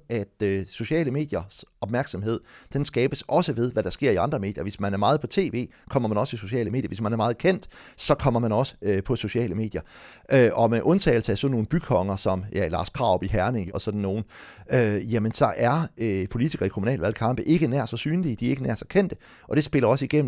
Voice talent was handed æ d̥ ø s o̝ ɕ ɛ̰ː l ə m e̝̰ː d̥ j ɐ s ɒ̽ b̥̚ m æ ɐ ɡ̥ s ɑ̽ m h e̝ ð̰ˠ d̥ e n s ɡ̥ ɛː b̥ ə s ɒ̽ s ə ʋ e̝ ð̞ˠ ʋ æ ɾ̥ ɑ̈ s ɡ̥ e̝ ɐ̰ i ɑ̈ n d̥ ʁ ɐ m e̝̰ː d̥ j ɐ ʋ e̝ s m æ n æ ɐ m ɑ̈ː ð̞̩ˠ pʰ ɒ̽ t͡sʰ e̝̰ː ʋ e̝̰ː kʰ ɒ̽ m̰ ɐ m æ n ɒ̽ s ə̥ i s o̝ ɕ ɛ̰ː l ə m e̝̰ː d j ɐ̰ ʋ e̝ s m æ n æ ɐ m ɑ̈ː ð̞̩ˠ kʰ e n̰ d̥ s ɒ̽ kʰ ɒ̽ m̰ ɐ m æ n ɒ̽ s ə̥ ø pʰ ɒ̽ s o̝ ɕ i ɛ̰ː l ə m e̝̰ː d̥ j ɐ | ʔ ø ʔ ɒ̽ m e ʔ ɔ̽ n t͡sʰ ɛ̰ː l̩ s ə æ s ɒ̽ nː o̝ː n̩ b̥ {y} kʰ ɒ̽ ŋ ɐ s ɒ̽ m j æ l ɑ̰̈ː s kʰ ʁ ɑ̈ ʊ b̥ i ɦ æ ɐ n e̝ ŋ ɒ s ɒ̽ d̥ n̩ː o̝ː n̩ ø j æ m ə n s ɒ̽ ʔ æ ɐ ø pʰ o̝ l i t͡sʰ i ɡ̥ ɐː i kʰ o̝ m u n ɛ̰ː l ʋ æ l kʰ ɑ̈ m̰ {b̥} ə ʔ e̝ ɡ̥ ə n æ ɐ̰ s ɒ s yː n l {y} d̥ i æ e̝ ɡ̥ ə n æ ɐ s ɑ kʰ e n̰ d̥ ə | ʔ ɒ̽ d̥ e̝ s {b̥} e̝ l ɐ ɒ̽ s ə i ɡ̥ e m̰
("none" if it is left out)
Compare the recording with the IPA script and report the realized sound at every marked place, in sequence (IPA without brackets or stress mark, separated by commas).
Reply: y, b̥, i, b̥